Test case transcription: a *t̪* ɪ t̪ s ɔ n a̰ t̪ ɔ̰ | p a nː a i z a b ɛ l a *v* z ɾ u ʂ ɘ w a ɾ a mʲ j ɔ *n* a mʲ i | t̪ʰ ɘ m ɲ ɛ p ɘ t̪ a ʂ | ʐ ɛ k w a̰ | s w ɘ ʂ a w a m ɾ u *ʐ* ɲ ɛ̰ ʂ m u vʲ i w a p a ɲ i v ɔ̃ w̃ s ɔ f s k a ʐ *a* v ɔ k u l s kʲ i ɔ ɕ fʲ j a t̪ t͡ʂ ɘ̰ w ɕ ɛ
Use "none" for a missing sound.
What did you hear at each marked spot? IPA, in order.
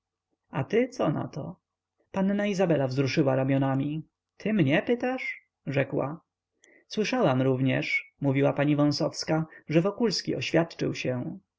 t̪, v, n, v, ɛ

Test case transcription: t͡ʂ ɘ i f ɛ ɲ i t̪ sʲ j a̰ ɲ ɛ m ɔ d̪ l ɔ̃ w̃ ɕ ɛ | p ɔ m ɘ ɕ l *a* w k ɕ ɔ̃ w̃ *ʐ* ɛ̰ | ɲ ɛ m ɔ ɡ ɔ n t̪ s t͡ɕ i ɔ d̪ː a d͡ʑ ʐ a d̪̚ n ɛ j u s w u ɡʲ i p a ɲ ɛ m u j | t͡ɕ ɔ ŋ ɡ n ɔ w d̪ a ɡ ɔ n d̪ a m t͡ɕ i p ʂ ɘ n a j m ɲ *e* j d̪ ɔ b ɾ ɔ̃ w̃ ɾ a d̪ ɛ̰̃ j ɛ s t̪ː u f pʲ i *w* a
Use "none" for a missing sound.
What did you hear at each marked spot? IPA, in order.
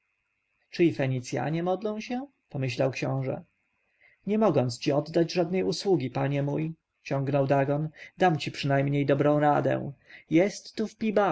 a, ʐ, e, b

